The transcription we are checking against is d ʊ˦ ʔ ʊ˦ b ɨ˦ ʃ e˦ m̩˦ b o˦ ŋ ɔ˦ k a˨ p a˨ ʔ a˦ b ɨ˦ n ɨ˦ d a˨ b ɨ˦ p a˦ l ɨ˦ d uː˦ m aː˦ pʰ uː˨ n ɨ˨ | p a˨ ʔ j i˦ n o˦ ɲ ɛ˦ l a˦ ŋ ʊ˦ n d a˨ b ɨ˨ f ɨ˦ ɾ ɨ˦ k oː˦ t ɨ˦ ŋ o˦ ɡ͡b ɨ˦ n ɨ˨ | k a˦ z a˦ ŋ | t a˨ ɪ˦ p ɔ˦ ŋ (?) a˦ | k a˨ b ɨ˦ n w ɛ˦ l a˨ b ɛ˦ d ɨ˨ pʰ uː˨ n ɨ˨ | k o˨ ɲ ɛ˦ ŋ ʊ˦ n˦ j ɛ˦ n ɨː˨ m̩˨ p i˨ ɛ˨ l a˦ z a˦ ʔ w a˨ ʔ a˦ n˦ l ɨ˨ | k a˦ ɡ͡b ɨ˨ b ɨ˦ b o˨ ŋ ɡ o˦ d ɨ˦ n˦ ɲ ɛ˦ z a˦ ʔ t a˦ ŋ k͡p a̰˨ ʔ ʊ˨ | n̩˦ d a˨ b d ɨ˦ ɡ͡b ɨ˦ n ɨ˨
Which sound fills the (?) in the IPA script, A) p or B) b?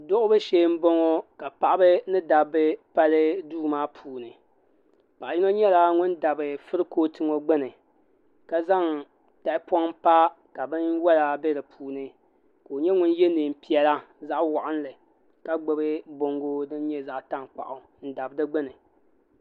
A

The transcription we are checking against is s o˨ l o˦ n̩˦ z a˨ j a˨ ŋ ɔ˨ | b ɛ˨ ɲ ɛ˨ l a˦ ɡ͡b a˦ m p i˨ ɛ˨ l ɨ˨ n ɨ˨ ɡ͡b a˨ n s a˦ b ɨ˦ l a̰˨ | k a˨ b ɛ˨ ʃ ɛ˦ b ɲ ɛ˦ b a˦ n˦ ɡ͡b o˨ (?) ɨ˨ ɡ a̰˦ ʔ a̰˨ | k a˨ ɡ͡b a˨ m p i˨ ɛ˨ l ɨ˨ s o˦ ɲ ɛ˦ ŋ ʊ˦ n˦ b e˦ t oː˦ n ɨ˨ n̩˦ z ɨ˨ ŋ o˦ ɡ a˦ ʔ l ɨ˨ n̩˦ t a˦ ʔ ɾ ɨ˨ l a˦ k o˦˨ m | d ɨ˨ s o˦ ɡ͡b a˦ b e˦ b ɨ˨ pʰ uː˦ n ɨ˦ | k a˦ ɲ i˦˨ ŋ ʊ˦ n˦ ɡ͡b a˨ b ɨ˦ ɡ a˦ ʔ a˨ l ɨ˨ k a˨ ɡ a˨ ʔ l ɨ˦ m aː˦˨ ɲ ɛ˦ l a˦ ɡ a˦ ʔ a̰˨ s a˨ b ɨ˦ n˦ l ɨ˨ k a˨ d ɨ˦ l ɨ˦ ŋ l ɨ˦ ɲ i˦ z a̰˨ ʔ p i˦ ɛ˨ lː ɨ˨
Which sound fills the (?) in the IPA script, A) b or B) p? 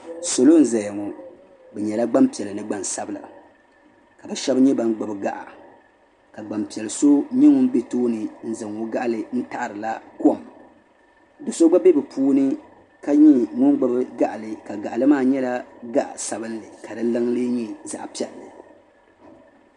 A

